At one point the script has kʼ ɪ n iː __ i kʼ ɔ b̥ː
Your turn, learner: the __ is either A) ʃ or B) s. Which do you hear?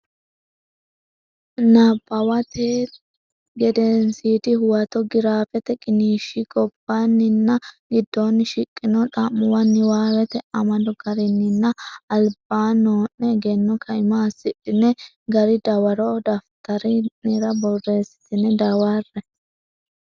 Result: A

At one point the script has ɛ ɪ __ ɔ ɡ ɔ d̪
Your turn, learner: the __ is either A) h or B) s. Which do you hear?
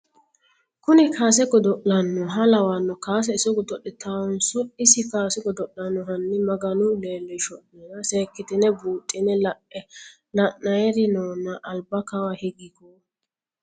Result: B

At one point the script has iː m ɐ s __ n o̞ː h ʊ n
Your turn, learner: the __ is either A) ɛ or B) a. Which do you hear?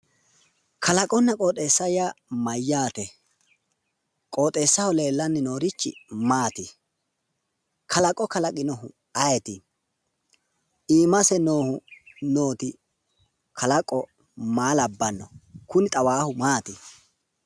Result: A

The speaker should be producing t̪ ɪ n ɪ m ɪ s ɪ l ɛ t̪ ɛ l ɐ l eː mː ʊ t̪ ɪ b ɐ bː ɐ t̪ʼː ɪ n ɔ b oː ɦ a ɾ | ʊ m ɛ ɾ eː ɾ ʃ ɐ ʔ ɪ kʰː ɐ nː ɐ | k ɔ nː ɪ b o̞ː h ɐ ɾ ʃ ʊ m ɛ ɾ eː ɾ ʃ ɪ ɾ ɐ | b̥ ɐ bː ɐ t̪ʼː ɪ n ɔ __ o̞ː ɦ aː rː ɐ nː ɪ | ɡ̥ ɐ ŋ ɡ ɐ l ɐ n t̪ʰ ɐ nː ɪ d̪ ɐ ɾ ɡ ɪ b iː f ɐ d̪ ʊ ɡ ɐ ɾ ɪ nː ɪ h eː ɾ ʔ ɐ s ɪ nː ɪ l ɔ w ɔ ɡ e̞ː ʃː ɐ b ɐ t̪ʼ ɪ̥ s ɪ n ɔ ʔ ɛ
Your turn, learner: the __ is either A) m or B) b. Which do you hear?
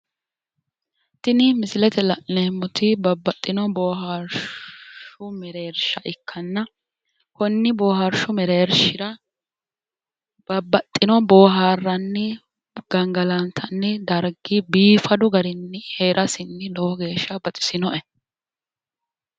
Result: B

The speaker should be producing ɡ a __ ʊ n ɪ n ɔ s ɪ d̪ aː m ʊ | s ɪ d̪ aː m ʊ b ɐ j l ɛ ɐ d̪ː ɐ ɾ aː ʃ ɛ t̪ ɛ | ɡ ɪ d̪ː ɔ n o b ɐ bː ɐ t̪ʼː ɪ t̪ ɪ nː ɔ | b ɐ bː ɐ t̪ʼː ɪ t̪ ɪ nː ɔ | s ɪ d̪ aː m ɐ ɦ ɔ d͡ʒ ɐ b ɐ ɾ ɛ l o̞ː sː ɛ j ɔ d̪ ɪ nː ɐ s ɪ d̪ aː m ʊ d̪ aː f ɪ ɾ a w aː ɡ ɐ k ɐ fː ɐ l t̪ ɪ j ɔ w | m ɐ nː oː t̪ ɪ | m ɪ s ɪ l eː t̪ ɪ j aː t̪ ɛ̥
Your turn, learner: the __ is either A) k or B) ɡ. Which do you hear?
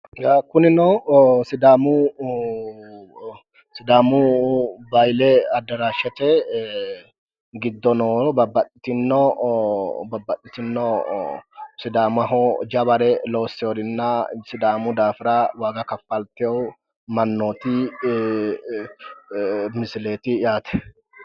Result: A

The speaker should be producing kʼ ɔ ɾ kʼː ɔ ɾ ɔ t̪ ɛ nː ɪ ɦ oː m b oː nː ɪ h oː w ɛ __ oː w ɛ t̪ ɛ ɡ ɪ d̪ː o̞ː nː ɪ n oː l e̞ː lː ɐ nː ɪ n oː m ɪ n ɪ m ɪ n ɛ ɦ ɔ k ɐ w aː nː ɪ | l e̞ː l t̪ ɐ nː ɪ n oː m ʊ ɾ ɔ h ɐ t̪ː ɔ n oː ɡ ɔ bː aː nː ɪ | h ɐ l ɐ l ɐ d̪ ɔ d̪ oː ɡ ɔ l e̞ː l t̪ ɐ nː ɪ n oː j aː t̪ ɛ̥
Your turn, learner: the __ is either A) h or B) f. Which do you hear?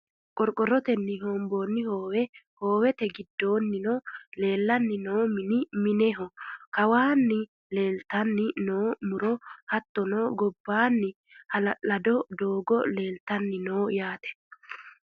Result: A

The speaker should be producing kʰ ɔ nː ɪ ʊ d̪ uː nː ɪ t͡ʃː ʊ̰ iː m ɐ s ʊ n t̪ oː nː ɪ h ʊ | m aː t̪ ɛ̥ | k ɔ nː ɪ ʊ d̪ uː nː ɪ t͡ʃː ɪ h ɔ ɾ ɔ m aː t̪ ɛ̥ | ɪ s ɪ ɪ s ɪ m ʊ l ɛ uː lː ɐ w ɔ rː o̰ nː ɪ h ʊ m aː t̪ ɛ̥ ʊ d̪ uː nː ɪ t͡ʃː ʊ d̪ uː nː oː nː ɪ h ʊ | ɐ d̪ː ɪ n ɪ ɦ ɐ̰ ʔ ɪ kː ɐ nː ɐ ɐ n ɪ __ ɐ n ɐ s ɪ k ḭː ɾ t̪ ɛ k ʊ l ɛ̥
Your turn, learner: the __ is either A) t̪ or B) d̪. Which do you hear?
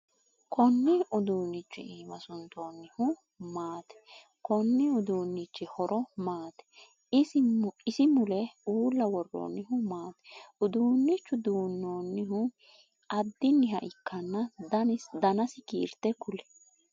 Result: B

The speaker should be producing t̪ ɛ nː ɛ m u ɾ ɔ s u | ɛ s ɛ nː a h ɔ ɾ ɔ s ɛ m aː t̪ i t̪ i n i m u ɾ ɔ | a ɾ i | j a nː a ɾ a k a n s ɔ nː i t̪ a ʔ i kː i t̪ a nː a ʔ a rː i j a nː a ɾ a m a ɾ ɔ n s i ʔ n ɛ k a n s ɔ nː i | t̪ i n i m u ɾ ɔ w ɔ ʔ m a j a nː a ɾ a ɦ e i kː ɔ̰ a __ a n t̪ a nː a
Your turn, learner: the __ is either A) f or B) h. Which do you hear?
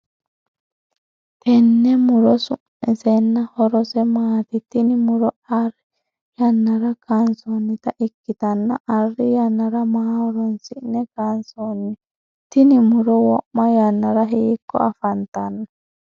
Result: A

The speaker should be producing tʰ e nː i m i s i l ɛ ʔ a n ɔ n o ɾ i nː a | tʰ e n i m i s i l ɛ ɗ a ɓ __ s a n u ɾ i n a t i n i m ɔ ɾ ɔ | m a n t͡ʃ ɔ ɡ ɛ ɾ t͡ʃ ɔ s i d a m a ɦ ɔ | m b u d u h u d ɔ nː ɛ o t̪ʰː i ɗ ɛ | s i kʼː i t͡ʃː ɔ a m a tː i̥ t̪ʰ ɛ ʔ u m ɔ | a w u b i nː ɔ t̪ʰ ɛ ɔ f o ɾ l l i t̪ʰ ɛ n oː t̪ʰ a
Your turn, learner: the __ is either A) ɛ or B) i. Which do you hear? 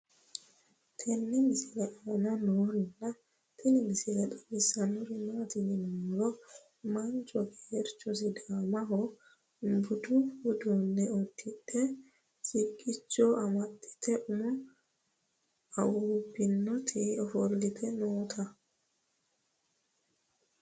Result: B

